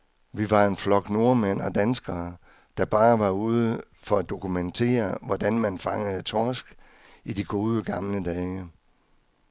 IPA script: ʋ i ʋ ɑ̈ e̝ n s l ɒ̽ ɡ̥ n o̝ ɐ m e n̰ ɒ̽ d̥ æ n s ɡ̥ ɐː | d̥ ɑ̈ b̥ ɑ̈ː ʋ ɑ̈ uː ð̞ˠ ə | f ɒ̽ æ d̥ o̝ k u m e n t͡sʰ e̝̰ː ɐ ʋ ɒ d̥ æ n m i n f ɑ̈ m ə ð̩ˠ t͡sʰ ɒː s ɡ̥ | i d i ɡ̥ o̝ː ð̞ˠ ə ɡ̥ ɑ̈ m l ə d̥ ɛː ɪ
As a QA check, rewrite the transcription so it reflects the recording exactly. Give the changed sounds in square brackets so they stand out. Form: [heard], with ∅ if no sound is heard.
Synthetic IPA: ʋ i ʋ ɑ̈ e̝ n [f] l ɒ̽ ɡ̥ n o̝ ɐ m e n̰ ɒ̽ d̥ æ n s ɡ̥ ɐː | d̥ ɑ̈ b̥ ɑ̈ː ʋ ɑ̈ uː ð̞ˠ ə | f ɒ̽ æ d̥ o̝ k u m e n t͡sʰ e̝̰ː ɐ ʋ ɒ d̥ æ n m [æ] n f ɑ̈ [ŋ] ə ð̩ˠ t͡sʰ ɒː s ɡ̥ | i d i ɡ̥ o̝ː ð̞ˠ ə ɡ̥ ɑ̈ m l ə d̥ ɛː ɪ

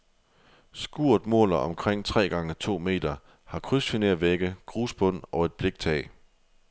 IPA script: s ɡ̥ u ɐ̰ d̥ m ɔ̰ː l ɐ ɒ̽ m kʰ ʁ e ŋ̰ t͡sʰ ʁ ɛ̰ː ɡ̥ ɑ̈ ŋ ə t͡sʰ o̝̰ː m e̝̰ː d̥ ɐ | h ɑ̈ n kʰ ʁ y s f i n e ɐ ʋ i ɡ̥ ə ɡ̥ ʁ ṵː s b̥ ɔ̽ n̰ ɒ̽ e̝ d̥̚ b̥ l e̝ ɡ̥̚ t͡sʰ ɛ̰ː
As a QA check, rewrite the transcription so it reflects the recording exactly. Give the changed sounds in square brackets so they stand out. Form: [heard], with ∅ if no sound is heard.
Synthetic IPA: s ɡ̥ u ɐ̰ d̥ m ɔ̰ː l ɐ ɒ̽ m kʰ ʁ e ŋ̰ t͡sʰ ʁ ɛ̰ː ɡ̥ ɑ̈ ŋ ə t͡sʰ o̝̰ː m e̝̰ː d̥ ɐ | h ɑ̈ [∅] kʰ ʁ y s f i n e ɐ ʋ [e] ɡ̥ ə ɡ̥ ʁ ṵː s b̥ ɔ̽ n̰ ɒ̽ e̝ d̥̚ b̥ l e̝ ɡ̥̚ t͡sʰ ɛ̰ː

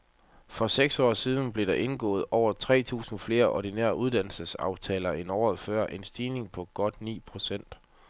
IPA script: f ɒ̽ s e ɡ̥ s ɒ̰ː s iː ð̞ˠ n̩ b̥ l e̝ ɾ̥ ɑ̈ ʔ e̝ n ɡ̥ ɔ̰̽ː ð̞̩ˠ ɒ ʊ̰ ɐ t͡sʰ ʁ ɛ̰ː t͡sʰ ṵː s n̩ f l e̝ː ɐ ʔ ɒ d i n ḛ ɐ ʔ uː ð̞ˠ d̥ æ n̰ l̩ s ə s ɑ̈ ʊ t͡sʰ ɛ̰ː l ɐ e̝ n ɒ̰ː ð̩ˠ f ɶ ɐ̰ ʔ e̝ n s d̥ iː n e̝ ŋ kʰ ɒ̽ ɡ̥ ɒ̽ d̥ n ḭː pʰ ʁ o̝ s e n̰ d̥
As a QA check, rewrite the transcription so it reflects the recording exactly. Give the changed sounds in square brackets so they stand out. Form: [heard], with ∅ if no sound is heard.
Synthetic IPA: f ɒ̽ s e ɡ̥ s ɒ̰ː s iː ð̞ˠ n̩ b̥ l e̝ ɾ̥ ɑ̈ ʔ e̝ n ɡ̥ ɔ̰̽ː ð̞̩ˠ ɒ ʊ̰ ɐ t͡sʰ ʁ ɛ̰ː t͡sʰ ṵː s n̩ f l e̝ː ɐ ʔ ɒ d i n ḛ ɐ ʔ [u] ð̞ˠ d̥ æ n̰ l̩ s ə s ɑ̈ ʊ t͡sʰ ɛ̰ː l ɐ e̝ n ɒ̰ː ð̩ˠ f ɶ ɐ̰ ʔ e̝ n s d̥ iː n e̝ ŋ [pʰ] ɒ̽ ɡ̥ ɒ̽ d̥ n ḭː pʰ ʁ o̝ s e n̰ d̥

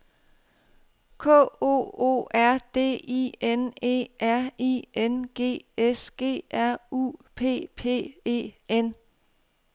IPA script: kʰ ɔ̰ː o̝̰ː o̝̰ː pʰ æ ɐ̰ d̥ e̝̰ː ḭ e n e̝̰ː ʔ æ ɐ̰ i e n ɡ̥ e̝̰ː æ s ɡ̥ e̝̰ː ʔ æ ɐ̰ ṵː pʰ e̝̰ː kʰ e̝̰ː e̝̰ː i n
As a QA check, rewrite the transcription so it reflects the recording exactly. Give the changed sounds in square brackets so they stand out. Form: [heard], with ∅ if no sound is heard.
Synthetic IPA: kʰ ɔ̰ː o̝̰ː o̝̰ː [∅] æ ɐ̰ d̥ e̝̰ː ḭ e n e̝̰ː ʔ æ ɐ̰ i e n ɡ̥ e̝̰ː [e] s ɡ̥ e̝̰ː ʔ æ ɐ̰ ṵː pʰ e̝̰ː [pʰ] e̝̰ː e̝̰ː [e] n

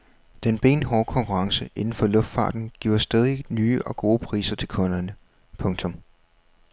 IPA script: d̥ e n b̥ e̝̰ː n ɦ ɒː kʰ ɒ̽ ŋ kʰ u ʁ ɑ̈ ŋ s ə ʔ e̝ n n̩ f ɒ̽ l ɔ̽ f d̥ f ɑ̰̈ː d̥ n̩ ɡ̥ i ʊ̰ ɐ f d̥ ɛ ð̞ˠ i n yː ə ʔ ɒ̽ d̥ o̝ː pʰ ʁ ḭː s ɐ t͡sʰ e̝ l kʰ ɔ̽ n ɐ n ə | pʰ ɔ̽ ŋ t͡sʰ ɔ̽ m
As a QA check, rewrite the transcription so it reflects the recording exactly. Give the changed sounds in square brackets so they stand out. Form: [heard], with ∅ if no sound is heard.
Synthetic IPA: d̥ e n b̥ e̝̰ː n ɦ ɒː kʰ ɒ̽ ŋ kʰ u ʁ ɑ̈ ŋ s ə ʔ e̝ n n̩ f ɒ̽ l ɔ̽ f d̥ f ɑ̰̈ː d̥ n̩ ɡ̥ i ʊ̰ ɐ [s] d̥ ɛ ð̞ˠ i n yː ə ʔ ɒ̽ [ɡ̥] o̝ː pʰ ʁ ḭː s ɐ t͡sʰ e̝ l kʰ ɔ̽ n ɐ n ə | pʰ ɔ̽ ŋ t͡sʰ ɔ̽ m

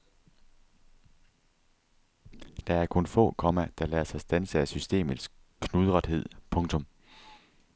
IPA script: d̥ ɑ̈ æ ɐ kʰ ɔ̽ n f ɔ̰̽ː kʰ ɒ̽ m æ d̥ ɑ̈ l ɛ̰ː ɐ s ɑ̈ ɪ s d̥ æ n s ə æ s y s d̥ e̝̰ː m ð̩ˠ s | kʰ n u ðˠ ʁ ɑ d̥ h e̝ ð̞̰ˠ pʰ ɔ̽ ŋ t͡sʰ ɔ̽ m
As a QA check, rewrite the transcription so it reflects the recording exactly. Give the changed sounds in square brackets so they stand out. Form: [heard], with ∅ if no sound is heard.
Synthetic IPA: d̥ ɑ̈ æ ɐ kʰ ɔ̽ n f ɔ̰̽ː kʰ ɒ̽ m æ d̥ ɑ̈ l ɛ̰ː ɐ s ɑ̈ ɪ s d̥ æ n s ə æ s y s d̥ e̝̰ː m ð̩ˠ s | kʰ n u ðˠ ʁ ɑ d̥ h e̝ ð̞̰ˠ pʰ ɔ̽ ŋ t͡sʰ ɔ̽ m

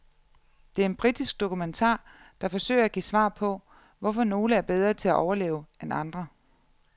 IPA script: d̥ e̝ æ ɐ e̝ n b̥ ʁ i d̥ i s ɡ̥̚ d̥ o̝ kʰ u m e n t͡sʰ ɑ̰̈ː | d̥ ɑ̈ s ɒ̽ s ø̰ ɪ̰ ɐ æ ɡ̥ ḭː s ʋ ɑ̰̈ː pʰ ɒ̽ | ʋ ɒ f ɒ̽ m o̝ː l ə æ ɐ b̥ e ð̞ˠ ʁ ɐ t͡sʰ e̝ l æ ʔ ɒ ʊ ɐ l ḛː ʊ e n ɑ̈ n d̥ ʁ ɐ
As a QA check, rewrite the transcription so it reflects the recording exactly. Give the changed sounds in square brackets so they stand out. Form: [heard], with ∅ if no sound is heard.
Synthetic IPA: d̥ e̝ æ ɐ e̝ n b̥ ʁ i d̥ i s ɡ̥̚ d̥ o̝ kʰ u m e n t͡sʰ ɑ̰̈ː | d̥ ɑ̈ [f] ɒ̽ s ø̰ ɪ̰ ɐ æ ɡ̥ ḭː s ʋ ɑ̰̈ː pʰ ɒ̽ | ʋ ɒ f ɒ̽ [n] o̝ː l ə æ ɐ b̥ e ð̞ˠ ʁ ɐ t͡sʰ e̝ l æ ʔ ɒ ʊ ɐ l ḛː ʊ e n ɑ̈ n d̥ ʁ ɐ

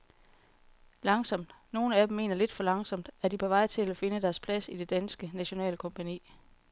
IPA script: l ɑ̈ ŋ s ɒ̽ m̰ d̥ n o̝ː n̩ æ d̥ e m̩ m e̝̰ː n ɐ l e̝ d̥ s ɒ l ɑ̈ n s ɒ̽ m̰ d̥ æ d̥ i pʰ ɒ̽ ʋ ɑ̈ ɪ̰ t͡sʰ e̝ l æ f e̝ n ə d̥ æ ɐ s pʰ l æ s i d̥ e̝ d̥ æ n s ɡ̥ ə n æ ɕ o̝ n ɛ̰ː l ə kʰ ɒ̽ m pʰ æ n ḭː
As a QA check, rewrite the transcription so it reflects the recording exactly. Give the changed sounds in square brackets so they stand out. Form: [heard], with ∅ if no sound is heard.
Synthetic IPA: l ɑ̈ ŋ s ɒ̽ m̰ d̥ n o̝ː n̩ æ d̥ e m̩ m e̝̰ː n ɐ l e̝ d̥ [f] ɒ l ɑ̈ [ŋ] s ɒ̽ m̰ d̥ æ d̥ i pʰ ɒ̽ ʋ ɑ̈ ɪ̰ t͡sʰ e̝ l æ f e̝ n ə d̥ æ ɐ s pʰ l æ s i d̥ e̝ d̥ æ n s ɡ̥ ə n æ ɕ o̝ n ɛ̰ː l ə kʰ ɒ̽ m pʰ æ n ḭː

